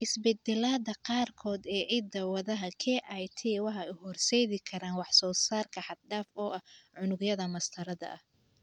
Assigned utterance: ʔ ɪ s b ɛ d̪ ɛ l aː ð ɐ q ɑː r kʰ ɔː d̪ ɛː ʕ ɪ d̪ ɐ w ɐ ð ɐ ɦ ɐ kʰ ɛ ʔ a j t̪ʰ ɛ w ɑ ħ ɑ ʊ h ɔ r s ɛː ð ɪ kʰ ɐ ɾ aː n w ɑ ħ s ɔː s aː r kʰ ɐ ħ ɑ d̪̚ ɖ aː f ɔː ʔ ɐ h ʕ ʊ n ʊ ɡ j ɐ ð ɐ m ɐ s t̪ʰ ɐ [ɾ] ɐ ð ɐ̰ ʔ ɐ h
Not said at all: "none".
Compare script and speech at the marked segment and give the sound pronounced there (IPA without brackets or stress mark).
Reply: ɾ